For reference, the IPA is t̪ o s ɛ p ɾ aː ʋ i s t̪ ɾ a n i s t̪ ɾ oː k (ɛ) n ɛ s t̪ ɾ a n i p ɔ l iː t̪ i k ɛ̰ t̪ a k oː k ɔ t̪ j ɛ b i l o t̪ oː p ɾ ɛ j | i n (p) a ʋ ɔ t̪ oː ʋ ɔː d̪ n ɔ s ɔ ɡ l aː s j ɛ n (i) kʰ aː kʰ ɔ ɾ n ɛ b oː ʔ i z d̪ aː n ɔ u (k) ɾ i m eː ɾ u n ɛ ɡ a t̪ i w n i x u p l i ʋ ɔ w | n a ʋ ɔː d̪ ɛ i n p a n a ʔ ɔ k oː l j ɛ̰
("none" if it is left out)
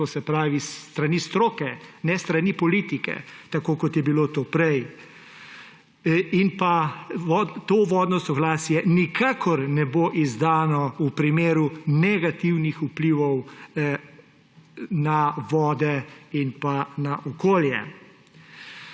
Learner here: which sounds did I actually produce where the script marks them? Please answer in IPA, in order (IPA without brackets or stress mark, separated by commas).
ɛ, p, i, p